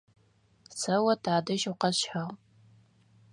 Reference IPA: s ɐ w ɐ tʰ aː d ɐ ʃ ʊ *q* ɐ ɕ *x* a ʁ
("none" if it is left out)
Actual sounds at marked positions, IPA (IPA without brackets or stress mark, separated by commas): q, ħ